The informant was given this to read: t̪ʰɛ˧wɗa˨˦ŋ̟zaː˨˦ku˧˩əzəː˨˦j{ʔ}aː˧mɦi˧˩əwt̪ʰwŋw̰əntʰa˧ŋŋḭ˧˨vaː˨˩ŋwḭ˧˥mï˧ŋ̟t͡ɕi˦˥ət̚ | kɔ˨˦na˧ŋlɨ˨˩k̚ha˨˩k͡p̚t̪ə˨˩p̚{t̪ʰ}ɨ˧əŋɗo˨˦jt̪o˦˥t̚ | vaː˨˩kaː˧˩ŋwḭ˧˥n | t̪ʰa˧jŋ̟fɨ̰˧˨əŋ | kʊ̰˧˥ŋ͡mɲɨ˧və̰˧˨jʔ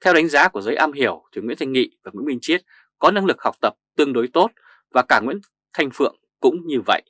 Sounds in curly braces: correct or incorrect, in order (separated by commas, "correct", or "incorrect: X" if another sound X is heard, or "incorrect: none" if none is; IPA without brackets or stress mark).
correct, incorrect: t̪